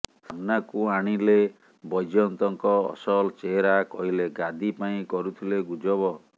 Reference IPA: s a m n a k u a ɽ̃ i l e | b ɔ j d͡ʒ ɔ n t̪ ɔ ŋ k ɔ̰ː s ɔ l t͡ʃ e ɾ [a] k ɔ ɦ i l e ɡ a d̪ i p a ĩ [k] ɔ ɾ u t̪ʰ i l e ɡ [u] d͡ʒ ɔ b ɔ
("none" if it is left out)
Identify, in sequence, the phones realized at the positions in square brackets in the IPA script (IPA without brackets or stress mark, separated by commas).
a, k, u